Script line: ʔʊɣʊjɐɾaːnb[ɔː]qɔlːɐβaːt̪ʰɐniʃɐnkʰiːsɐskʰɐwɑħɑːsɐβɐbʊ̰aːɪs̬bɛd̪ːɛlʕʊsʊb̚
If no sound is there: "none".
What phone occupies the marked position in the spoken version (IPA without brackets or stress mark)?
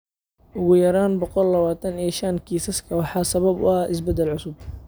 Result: ɔ